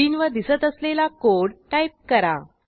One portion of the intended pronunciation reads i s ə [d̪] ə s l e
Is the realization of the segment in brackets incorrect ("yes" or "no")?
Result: yes